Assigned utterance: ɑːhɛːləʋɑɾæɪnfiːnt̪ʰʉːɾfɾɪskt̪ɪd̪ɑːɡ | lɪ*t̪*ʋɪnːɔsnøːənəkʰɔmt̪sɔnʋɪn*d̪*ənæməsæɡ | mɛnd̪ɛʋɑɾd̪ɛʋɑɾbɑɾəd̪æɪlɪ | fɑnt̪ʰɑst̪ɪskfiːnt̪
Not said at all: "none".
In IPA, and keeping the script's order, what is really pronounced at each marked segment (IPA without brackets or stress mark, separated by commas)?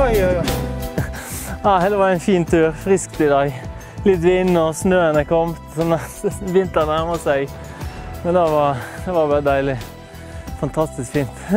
t̪, t̪